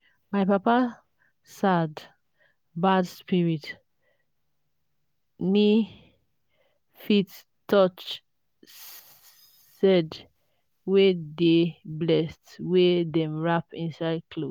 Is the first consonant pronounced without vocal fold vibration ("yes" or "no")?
no